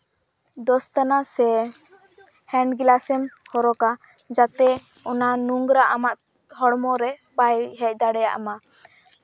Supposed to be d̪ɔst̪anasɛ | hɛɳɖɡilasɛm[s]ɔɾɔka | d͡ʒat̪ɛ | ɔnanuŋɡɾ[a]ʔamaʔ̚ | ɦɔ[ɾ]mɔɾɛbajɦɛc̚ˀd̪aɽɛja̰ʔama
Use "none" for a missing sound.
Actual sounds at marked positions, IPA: h, a, ɽ

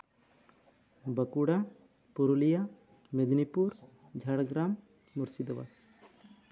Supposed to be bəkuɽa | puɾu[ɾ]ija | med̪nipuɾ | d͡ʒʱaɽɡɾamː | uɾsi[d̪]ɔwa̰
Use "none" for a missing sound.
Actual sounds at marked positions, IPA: l, d̪

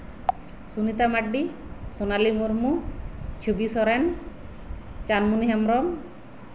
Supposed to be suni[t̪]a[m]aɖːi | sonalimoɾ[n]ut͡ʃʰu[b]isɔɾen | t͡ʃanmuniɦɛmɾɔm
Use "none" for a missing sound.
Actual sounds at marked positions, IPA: t̪, m, m, b

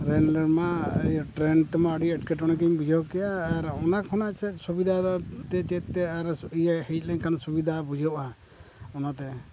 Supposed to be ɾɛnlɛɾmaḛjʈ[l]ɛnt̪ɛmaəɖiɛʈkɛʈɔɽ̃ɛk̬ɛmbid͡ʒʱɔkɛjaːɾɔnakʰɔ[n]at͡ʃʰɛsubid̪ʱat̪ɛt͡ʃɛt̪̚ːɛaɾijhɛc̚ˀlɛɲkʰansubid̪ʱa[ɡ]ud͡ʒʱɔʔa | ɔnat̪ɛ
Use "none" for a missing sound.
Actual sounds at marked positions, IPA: ɾ, n, b

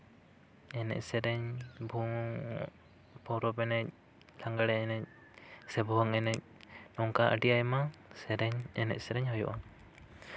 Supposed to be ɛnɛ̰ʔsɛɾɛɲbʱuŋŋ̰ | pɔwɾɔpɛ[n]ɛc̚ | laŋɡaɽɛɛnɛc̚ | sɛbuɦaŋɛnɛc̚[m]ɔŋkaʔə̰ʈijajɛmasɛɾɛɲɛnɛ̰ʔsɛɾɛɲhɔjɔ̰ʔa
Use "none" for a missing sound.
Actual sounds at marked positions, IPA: n, n

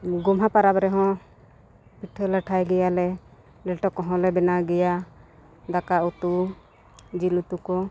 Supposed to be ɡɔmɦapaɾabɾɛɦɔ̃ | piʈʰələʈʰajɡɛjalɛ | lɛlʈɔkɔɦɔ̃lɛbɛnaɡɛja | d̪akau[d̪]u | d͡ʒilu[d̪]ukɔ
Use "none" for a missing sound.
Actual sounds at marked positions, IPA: t̪, t̪

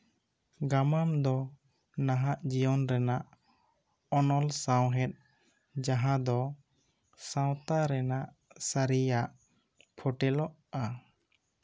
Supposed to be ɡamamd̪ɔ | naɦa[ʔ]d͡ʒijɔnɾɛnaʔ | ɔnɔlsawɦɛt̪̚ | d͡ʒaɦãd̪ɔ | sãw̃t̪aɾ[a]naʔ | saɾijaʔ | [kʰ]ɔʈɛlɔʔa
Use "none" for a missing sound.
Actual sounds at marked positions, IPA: ʔ, ɛ, pʰ

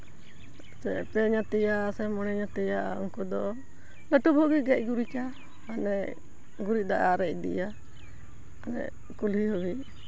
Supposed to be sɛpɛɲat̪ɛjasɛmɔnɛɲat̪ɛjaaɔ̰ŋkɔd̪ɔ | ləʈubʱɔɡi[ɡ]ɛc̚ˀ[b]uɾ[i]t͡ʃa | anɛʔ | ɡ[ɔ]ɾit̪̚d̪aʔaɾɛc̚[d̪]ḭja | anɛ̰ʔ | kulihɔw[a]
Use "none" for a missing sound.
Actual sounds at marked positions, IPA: ɡ, ɡ, i, u, d̪, i

